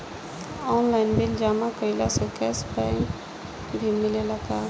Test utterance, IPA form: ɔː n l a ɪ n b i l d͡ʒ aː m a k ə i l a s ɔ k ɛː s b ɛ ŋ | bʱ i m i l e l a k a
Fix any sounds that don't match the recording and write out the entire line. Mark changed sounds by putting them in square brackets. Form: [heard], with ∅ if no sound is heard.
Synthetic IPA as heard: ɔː n l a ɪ n b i l d͡ʒ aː m a k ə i l a s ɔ k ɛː s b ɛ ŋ | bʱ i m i l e l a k a